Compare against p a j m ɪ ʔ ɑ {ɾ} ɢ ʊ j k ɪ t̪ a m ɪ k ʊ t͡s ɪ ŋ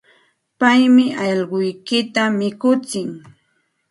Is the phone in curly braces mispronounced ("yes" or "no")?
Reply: yes